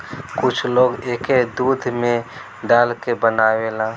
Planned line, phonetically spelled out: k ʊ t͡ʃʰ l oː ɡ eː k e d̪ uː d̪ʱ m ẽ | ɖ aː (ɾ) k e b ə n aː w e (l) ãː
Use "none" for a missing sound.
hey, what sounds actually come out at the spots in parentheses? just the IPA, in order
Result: l, l

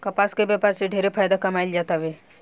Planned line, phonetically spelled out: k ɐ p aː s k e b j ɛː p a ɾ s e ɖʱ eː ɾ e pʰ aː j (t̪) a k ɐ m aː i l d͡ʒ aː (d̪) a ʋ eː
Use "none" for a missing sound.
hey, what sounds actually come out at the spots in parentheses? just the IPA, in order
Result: d̪, t̪

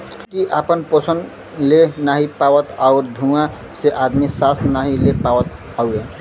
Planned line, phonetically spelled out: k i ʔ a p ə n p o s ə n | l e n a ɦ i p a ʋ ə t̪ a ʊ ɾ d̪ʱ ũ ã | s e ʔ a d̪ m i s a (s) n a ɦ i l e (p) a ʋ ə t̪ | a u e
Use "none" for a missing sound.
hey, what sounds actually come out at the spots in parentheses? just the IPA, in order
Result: s, p

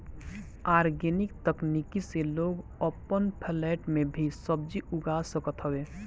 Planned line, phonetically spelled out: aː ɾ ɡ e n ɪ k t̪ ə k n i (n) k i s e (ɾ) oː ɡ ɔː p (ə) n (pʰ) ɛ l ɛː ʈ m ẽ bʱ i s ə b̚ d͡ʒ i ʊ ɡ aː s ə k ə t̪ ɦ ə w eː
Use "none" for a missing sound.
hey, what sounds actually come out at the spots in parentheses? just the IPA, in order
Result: none, l, ə, pʰ

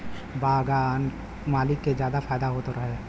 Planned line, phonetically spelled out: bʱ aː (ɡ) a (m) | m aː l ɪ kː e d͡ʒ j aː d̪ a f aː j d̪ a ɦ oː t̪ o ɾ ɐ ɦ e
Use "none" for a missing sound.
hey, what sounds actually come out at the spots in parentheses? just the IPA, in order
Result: ɡ, n

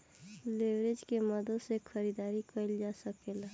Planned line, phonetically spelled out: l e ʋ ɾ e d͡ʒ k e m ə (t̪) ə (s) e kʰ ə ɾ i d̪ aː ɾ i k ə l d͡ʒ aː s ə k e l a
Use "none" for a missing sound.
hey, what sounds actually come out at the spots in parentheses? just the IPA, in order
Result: d̪, s

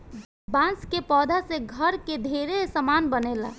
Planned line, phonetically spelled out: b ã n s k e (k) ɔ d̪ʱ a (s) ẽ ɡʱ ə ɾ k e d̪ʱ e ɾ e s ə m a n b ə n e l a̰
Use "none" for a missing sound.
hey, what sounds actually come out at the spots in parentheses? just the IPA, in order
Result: p, s

